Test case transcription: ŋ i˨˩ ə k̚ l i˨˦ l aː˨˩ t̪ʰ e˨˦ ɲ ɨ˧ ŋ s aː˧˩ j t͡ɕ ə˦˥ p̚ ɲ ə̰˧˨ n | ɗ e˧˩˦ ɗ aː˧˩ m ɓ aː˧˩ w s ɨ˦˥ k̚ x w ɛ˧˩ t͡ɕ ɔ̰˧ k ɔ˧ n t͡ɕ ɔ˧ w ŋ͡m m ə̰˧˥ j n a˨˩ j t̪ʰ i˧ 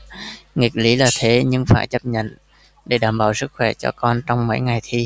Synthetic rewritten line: ŋ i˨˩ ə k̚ l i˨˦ l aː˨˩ t̪ʰ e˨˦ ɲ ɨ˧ ŋ f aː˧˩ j t͡ɕ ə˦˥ p̚ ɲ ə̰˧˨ n | ɗ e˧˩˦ ɗ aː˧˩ m ɓ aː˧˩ w s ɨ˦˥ k̚ x w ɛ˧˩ t͡ɕ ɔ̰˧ k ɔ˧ n t͡ɕ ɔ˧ w ŋ͡m m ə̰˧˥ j ŋ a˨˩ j t̪ʰ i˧